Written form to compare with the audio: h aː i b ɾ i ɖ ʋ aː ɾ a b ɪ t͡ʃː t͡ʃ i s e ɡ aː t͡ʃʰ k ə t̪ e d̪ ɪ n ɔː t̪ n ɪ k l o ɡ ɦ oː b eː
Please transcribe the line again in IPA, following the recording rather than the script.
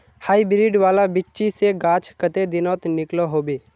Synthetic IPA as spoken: h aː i b ɾ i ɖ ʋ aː l a b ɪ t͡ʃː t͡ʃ i s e ɡ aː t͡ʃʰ k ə t̪ e d̪ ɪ n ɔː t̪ n ɪ k l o ɦ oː b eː